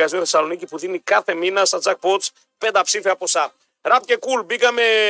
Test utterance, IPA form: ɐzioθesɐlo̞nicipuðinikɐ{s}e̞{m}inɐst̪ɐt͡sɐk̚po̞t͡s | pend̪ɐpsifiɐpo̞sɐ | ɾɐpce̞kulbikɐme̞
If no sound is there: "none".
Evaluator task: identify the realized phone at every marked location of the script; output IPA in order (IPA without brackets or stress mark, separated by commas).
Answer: θ, m